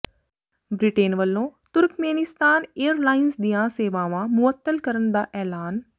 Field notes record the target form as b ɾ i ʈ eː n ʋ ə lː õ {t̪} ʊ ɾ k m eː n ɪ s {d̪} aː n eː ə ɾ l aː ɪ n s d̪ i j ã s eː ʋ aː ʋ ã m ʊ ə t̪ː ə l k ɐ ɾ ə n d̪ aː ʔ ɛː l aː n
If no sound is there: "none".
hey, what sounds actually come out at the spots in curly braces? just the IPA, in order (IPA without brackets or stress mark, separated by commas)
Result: t̪, t̪